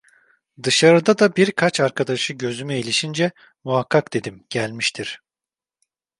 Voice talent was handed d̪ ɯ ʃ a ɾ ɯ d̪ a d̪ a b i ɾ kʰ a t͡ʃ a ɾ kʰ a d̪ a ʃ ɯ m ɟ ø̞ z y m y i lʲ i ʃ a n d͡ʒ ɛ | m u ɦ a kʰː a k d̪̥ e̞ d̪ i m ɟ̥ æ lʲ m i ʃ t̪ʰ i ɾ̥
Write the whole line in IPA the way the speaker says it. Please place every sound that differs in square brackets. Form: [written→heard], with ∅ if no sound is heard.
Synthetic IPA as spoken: d̪ ɯ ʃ a ɾ ɯ d̪ a d̪ a b i ɾ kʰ a t͡ʃ a ɾ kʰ a d̪ a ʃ ɯ [m→∅] ɟ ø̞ z y m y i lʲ i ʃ [a→i] n d͡ʒ ɛ | m u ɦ a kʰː a k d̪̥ e̞ d̪ i m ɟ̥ æ lʲ m i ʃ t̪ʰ i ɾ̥